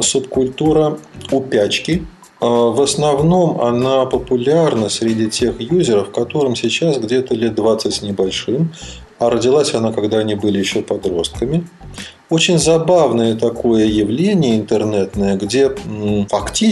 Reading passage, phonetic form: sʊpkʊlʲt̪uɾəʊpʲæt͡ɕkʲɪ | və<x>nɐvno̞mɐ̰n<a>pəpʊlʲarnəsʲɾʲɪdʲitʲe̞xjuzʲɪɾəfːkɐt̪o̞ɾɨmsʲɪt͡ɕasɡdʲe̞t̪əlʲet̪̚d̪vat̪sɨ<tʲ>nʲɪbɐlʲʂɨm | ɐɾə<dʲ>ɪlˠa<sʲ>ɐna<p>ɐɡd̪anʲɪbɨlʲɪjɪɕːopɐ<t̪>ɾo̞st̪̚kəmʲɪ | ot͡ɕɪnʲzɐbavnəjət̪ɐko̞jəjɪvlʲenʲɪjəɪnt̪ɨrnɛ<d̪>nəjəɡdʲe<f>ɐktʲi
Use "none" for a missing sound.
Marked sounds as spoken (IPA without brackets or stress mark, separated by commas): s, a, tʲ, dʲ, sʲ, k, d̪, t̪, f